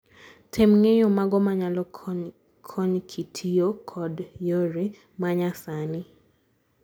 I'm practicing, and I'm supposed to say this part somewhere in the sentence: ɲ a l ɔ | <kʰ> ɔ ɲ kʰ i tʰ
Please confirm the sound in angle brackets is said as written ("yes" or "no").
yes